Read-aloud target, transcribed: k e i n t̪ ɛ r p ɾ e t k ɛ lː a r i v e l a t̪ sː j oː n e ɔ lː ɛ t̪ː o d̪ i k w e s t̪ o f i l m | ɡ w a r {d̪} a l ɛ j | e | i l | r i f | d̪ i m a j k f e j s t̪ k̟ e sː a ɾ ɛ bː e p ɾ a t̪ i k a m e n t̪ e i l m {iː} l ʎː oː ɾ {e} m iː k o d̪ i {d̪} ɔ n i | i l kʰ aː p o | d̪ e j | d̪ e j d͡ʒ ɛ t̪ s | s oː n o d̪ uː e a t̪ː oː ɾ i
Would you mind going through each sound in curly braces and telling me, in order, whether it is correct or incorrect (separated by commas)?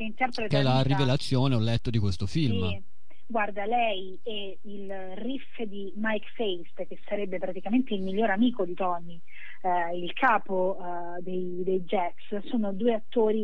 correct, incorrect, incorrect, incorrect